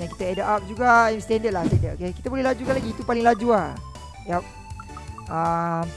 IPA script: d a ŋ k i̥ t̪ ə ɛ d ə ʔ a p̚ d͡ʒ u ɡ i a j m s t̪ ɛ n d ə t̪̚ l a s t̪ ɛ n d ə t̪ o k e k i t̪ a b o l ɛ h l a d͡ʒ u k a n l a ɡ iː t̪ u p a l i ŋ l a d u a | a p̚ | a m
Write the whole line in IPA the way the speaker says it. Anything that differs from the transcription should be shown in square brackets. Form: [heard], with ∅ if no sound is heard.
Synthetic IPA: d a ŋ k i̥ t̪ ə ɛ d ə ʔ a p̚ d͡ʒ u ɡ [a] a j m s t̪ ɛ n d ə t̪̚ l a s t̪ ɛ n d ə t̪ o k e k i t̪ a b o l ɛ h l a d͡ʒ u k a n l a ɡ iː t̪ u p a l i ŋ l a [d͡ʒ] u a | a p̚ | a m